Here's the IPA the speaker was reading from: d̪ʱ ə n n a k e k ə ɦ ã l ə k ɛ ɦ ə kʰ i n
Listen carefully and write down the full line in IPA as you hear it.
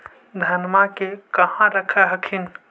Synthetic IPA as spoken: d̪ʱ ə n m a k e k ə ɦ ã ɾ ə kʰ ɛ ɦ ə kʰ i n